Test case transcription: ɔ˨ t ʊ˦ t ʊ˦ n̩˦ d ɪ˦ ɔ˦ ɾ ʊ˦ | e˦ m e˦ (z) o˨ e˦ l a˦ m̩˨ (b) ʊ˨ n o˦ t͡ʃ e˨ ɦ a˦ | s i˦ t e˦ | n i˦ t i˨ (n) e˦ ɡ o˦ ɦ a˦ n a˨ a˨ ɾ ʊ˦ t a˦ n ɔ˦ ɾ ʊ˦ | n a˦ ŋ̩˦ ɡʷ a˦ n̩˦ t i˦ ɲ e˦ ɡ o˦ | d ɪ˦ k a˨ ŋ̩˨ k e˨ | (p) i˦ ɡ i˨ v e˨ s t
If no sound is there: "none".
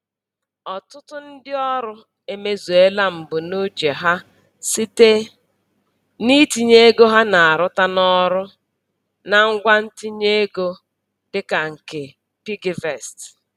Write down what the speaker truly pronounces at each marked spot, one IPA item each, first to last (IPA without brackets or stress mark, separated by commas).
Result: z, b, ɲ, p